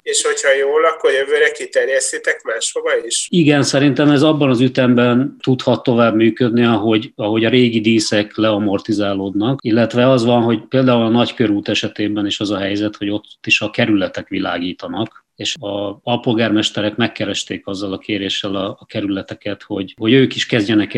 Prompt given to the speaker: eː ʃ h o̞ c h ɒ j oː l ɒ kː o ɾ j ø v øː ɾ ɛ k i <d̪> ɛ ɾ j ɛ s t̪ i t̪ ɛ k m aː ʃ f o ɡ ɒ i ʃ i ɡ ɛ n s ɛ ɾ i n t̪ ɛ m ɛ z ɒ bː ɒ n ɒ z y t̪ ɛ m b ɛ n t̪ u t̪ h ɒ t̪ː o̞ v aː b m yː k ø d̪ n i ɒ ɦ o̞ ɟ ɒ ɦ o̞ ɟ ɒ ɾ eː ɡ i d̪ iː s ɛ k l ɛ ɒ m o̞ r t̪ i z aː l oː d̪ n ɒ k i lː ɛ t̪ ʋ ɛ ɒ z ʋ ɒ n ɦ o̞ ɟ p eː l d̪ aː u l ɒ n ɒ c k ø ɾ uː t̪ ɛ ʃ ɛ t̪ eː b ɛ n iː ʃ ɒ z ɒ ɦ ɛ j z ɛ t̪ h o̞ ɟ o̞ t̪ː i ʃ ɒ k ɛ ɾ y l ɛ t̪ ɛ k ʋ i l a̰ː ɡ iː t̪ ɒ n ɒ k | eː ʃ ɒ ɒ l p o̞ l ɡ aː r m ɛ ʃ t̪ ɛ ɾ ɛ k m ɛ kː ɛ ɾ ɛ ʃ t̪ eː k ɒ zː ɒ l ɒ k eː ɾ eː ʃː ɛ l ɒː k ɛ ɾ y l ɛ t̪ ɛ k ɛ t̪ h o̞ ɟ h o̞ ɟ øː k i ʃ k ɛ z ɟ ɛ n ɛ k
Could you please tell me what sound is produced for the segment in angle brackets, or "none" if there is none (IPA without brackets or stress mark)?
t̪